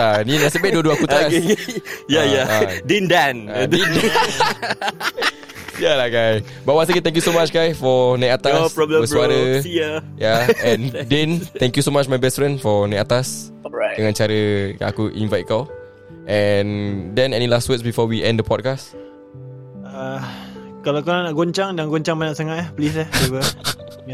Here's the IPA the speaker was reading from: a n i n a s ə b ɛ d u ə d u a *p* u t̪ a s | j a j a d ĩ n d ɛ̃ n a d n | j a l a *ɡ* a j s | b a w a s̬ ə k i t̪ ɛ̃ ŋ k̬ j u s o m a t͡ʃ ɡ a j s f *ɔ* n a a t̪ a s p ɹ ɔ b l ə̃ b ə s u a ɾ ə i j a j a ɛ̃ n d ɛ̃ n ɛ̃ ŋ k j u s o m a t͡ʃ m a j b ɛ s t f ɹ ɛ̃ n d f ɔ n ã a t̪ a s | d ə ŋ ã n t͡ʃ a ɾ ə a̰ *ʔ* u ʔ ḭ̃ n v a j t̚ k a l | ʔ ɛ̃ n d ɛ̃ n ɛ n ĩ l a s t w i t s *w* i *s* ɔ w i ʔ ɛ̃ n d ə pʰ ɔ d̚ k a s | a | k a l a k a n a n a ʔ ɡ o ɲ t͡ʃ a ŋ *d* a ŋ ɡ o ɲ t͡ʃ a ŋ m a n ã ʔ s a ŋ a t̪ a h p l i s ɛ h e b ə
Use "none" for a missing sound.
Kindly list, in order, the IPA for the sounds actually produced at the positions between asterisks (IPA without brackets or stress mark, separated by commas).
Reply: k, ɡ, ɔ, k, b, f, d